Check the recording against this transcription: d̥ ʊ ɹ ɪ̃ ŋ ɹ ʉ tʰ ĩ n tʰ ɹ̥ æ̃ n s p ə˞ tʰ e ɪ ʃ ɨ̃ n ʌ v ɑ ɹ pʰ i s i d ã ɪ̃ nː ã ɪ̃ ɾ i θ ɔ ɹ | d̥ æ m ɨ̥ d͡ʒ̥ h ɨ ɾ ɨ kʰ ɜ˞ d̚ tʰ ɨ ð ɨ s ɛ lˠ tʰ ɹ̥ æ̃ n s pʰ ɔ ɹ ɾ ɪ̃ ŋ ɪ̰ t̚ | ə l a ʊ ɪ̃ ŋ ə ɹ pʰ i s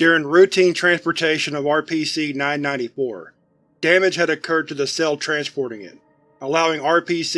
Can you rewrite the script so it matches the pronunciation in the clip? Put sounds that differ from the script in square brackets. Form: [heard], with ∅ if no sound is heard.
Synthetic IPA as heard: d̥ ʊ ɹ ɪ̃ ŋ ɹ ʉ tʰ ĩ n tʰ ɹ̥ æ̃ n s p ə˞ tʰ e ɪ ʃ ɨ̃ n ʌ v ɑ ɹ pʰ i s i [n] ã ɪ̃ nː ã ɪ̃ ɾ i [f] ɔ ɹ | d̥ æ m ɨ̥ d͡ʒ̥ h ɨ ɾ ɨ kʰ ɜ˞ d̚ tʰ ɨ ð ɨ s ɛ lˠ tʰ ɹ̥ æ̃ n s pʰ ɔ ɹ ɾ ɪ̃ ŋ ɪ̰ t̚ | ə l a ʊ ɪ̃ ŋ [ɑ] ɹ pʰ i s

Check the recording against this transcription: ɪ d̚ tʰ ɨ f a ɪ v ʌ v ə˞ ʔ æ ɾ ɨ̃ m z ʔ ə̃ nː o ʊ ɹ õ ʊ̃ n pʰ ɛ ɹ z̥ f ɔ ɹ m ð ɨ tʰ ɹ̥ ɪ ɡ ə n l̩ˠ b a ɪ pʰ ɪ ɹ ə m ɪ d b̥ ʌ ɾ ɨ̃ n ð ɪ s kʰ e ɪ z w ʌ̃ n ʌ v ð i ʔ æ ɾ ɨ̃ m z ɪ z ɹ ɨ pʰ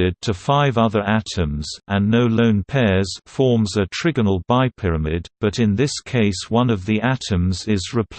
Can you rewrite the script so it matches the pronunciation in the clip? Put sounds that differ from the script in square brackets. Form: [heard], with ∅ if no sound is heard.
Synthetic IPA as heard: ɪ d̚ tʰ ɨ f a ɪ v ʌ [ð] ə˞ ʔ æ ɾ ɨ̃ m z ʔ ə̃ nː o ʊ [l] õ ʊ̃ n pʰ ɛ ɹ z̥ f ɔ ɹ m [z] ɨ tʰ ɹ̥ ɪ ɡ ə n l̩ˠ b a ɪ pʰ ɪ ɹ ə m ɪ d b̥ ʌ ɾ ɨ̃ n ð ɪ s kʰ e ɪ [s] w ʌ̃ n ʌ v ð i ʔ æ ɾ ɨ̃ m z ɪ z ɹ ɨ pʰ

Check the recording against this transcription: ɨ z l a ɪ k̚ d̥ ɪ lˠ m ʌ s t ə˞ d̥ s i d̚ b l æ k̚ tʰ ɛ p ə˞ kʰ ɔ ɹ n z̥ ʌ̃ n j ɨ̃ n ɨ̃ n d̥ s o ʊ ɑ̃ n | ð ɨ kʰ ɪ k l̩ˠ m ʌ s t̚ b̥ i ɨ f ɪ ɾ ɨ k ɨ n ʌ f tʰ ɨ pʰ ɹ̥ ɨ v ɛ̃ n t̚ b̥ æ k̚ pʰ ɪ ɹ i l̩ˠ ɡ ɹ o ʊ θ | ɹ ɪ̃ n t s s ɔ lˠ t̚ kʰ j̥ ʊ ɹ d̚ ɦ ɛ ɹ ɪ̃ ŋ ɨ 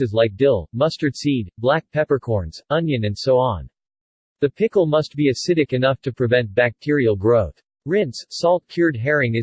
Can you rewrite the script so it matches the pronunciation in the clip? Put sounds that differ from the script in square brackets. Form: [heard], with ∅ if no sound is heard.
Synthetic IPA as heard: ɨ z l a ɪ k̚ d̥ ɪ lˠ m ʌ s t ə˞ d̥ s i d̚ b l æ k̚ [pʰ] ɛ p ə˞ kʰ ɔ ɹ n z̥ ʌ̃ n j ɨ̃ n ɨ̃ n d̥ s o ʊ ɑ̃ n | ð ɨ [pʰ] ɪ k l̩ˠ m ʌ s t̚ b̥ i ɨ [s] ɪ ɾ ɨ k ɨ n ʌ f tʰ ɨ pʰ ɹ̥ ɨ v ɛ̃ n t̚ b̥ æ k̚ [tʰ] ɪ ɹ i l̩ˠ ɡ ɹ o ʊ θ | ɹ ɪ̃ n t s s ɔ lˠ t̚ kʰ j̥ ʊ ɹ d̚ ɦ ɛ ɹ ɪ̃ ŋ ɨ

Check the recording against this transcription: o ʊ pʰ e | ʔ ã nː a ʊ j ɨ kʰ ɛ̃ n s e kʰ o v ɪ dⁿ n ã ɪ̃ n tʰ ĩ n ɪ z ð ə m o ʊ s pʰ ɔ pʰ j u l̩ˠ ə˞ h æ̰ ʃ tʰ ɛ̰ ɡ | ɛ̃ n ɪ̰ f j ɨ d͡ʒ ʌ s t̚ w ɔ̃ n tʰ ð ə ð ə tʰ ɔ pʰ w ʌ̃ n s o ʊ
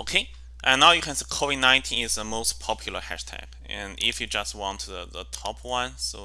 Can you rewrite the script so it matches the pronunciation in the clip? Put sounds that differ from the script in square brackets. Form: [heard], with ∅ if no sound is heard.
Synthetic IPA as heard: o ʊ [kʰ] e | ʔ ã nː a ʊ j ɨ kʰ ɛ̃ n s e kʰ o v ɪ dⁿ n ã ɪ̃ n tʰ ĩ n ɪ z ð ə m o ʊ s pʰ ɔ pʰ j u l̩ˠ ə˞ h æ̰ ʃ tʰ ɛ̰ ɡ | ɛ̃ n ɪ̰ f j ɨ d͡ʒ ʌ s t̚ w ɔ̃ n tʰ ð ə ð ə tʰ ɔ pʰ w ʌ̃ n s o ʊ

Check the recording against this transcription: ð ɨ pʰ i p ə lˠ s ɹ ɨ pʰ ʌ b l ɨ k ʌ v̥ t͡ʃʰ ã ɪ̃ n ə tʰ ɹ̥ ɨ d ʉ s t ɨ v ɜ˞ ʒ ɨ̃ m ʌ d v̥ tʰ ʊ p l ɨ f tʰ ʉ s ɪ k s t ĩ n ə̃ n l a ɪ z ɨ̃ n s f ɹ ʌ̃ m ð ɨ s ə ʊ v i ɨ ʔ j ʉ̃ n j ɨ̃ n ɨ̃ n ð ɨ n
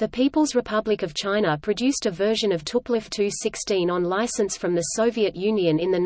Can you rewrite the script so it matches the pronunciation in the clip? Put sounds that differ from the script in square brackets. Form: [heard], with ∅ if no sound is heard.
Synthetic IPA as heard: ð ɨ pʰ i p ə lˠ [z] ɹ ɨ pʰ ʌ b l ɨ k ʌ v̥ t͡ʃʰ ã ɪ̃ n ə [pʰ] ɹ̥ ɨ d ʉ s t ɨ v ɜ˞ ʒ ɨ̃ [n] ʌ [∅] v̥ tʰ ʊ p l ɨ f tʰ ʉ s ɪ k s t ĩ n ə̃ n l a ɪ [s] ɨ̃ n s f ɹ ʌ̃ m ð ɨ s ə ʊ v i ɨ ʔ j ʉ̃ n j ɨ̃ n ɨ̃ n ð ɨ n

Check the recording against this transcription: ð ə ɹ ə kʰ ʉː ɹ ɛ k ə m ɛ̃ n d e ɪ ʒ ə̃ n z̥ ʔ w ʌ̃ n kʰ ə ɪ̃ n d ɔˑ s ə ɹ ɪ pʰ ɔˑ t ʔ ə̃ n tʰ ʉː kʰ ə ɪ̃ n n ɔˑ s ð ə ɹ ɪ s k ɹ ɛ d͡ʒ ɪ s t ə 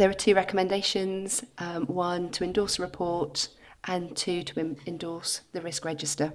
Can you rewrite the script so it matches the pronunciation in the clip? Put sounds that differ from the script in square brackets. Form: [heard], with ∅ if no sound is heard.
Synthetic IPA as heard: ð ə ɹ ə [tʰ] ʉː ɹ ɛ k ə m ɛ̃ n d e ɪ [ʃ] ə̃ n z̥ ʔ w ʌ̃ n [tʰ] ə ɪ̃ n d ɔˑ s ə ɹ ɪ pʰ ɔˑ t ʔ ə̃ n tʰ ʉː [tʰ] ə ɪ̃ n [d] ɔˑ s ð ə ɹ ɪ s k ɹ ɛ d͡ʒ ɪ s t ə

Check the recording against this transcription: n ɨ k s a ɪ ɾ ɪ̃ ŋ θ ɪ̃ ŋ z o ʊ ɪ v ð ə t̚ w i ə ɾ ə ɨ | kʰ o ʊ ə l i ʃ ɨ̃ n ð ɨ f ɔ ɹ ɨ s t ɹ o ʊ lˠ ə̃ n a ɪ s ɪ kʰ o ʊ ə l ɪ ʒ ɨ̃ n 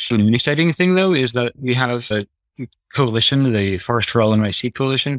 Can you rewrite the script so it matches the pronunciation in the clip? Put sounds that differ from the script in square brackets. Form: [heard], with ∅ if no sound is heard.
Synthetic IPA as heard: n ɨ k s a ɪ ɾ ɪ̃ ŋ θ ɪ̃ ŋ [ð] o ʊ ɪ [z] ð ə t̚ w i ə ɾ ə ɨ | kʰ o ʊ ə l [ɪ] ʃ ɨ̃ n ð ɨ f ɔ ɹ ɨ s t ɹ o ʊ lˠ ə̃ n a ɪ s [i] kʰ o ʊ ə l ɪ [ʃ] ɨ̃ n

